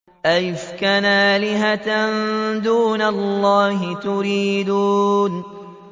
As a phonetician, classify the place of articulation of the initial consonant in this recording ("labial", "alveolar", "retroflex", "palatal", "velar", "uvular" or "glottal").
glottal